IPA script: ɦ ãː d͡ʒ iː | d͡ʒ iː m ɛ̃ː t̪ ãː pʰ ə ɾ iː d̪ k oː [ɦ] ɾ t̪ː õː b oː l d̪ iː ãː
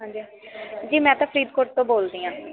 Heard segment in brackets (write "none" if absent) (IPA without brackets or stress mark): none